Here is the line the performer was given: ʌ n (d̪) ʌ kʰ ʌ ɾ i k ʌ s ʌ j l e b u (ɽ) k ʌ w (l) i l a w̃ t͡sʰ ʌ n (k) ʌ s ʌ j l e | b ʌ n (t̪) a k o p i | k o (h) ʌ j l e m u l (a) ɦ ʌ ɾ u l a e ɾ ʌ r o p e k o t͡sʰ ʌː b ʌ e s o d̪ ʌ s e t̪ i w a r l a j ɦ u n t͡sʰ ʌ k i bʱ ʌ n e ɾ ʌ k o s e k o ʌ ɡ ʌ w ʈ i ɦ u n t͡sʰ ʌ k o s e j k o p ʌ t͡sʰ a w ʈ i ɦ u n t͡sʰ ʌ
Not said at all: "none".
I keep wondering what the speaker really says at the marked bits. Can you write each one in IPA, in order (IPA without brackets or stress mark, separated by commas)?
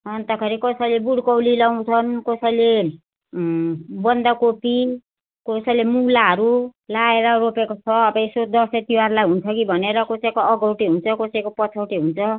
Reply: t̪, ɽ, l, k, d̪, s, a